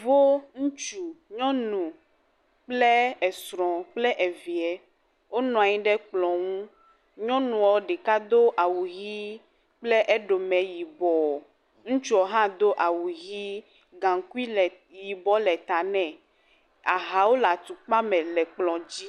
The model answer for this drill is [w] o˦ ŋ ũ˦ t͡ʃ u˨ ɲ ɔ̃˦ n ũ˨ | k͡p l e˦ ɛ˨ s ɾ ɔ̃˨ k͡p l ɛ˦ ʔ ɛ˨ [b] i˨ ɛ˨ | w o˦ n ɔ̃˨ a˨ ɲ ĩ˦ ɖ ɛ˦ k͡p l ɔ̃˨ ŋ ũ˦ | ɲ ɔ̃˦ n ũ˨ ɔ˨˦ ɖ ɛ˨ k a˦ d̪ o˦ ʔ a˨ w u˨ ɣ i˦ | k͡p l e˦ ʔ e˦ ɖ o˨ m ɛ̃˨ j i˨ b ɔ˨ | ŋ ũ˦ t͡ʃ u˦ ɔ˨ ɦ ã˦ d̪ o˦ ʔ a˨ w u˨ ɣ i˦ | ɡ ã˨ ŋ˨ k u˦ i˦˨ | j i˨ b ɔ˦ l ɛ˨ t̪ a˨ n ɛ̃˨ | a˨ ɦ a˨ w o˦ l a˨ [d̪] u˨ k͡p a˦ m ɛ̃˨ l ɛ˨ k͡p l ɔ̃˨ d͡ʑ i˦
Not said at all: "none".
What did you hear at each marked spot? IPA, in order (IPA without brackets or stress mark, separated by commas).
v, v, t̪